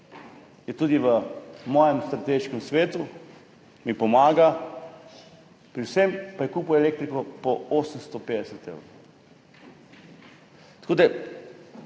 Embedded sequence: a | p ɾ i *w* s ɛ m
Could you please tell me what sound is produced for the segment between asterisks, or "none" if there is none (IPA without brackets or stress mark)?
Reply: w